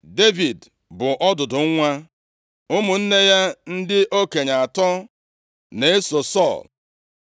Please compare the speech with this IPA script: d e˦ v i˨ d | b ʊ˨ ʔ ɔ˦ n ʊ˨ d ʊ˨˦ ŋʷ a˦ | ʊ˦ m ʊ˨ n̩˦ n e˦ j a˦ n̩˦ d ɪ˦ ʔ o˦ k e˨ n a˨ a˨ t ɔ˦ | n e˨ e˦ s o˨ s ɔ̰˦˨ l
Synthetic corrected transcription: d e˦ v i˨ d | b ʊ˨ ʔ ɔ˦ d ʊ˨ d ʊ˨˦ ŋʷ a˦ | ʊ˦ m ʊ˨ n̩˦ n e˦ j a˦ n̩˦ d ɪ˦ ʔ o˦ k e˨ ɲ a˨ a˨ t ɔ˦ | n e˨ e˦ s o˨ s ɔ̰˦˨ l